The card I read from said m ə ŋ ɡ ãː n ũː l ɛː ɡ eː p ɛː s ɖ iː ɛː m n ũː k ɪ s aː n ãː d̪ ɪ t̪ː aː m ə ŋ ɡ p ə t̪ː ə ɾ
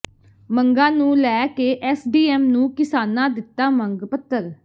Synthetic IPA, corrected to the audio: m ə ŋ ɡ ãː n ũː l ɛː k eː ʔ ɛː s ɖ iː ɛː m n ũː k ɪ s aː n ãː d̪ ɪ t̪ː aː m ə ŋ ɡ p ə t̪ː ə ɾ